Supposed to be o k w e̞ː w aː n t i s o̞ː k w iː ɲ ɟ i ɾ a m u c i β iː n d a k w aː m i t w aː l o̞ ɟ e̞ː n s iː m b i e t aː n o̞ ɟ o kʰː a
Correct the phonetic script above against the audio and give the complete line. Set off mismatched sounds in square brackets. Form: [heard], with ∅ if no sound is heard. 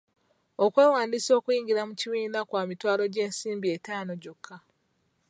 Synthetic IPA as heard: o k w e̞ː w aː n [d] i s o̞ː k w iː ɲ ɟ i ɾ a m u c i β iː n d a k w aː m i t w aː l o̞ ɟ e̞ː n s iː m b i e t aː n o̞ ɟ o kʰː a